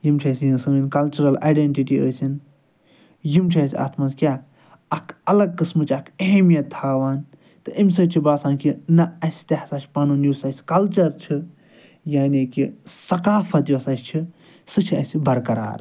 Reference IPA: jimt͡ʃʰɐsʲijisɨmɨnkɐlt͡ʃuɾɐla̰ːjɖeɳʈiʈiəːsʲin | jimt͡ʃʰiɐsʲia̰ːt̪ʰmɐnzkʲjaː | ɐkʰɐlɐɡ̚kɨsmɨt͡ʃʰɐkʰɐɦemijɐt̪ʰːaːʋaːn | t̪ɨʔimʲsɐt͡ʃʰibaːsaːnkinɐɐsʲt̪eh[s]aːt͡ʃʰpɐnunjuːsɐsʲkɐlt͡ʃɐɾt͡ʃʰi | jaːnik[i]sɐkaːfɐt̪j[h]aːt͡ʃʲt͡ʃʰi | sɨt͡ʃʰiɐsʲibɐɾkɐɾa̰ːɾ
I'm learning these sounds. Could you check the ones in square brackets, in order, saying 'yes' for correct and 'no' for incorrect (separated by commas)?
yes, yes, no